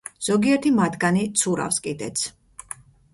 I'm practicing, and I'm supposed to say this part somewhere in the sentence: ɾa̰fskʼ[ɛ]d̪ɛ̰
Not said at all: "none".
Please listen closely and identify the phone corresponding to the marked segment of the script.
i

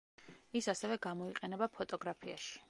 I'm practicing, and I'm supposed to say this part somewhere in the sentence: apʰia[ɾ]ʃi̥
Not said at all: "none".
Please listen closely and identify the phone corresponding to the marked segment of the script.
none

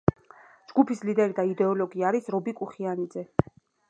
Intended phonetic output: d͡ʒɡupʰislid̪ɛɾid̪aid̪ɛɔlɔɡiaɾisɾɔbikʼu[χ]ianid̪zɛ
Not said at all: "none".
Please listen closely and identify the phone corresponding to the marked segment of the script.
χ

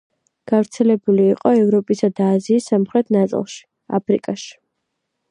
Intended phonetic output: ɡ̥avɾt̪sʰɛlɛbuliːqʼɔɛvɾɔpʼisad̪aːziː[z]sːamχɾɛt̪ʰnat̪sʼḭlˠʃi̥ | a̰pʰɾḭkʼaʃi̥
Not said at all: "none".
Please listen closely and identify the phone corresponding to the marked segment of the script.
none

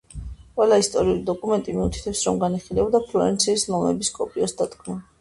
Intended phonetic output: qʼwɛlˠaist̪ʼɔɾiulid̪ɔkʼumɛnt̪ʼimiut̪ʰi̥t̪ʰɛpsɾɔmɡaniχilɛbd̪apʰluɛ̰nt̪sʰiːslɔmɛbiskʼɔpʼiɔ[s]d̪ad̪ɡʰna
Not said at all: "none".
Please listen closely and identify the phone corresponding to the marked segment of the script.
s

